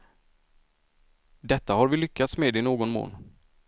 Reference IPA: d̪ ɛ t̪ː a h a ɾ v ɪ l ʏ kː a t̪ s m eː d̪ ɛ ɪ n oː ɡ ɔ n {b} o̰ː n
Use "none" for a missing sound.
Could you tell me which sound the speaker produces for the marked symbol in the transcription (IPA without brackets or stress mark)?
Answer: m